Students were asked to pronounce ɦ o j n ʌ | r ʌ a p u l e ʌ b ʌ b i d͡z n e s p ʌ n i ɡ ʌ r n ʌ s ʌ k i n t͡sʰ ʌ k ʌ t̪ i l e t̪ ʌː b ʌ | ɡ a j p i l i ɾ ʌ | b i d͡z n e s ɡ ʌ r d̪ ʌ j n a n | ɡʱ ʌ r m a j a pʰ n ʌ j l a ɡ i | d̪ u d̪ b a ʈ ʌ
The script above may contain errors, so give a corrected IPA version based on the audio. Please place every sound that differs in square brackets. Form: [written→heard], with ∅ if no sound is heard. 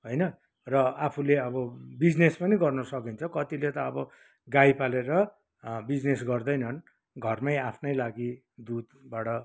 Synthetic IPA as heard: ɦ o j n ʌ | r ʌ a [p→pʰ] u l e ʌ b ʌ b i d͡z n e s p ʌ n i ɡ ʌ r n ʌ s ʌ k i n t͡sʰ ʌ k ʌ t̪ i l e t̪ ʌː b ʌ | ɡ a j p [i→a] l [i→e] ɾ ʌ | b i d͡z n e s ɡ ʌ r d̪ ʌ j n [a→ʌ] n | ɡʱ ʌ r m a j a pʰ n ʌ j l a ɡ i | d̪ u d̪ b a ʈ ʌ